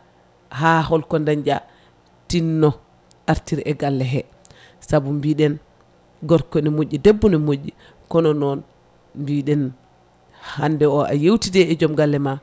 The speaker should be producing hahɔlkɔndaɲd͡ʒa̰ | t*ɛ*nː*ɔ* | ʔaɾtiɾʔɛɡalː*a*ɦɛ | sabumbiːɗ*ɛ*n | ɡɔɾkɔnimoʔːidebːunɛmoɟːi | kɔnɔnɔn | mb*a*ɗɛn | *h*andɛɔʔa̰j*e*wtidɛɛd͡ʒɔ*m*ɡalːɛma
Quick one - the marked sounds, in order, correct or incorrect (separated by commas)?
incorrect, correct, incorrect, correct, incorrect, correct, correct, correct